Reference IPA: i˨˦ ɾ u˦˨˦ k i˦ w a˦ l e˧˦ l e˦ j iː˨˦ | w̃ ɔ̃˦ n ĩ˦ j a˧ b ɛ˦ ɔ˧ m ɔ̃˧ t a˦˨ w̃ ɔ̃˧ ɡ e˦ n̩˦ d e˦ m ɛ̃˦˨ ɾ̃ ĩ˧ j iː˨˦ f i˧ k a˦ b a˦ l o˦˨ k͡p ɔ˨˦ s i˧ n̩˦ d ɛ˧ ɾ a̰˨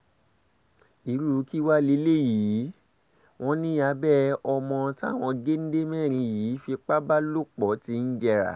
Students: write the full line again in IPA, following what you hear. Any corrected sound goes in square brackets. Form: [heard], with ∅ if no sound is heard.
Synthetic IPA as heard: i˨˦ ɾ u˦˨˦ k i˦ w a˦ l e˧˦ l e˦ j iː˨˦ | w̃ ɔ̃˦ n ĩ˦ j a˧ b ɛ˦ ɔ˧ m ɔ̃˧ t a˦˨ w̃ ɔ̃˧ ɡ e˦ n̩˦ d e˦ m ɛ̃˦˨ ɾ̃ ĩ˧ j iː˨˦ f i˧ [k͡p] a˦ b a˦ l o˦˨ k͡p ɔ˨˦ [t] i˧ n̩˦ [d͡ʒ] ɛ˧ ɾ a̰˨